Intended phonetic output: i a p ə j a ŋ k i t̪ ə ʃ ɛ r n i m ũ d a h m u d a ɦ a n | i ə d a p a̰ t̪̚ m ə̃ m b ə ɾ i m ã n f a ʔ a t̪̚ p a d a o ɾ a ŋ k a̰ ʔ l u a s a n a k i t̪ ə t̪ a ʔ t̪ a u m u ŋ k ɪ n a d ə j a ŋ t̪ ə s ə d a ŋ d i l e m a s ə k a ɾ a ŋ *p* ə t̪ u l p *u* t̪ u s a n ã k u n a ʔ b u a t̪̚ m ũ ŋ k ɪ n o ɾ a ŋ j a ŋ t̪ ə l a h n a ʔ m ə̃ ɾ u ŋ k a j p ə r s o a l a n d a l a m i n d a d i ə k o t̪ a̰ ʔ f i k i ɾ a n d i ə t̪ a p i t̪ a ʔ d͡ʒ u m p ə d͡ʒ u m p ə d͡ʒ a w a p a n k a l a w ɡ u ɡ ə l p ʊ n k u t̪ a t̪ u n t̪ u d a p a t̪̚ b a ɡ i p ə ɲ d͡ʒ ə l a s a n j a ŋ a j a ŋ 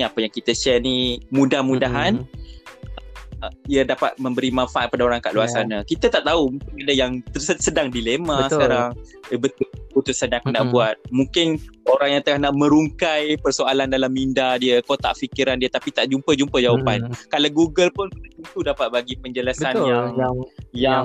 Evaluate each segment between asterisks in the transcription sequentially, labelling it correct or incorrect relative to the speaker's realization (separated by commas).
incorrect, correct